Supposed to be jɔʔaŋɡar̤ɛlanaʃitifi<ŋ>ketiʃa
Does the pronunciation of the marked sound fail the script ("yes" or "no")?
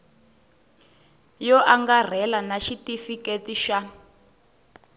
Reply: yes